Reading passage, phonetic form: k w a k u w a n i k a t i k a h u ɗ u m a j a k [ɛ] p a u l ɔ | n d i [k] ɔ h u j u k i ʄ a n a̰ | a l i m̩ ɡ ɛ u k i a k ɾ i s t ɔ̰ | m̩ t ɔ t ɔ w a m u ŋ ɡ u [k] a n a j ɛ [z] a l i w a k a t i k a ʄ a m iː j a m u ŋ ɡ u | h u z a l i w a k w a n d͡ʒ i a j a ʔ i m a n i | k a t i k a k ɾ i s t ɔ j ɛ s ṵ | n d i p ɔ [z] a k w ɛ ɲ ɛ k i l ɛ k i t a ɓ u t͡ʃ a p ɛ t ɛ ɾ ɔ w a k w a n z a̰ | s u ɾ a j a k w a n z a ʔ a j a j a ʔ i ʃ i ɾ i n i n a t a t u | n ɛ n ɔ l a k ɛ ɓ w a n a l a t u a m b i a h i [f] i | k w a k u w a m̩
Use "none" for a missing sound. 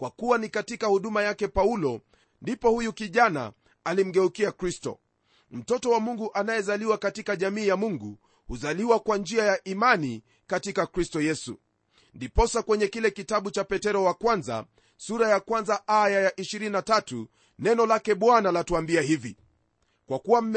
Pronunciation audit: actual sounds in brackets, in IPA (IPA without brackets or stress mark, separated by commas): ɛ, p, ʔ, z, s, v